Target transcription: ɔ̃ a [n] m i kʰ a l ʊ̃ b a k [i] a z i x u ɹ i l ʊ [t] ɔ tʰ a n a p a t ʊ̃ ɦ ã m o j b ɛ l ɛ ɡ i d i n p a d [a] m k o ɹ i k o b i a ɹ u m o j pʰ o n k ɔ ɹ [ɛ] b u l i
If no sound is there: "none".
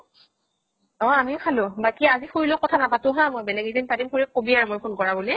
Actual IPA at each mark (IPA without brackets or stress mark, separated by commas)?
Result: none, i, k, i, a